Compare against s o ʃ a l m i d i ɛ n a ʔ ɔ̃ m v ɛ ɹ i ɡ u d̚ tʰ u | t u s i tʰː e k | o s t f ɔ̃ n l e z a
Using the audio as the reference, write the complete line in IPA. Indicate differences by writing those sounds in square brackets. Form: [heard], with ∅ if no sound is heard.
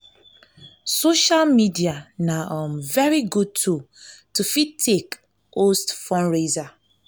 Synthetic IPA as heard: s o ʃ a l m i d i [a] n a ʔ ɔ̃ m v ɛ ɹ i ɡ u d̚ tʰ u | t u [f] i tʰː e k | o s t f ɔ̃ n [ɹ] e z a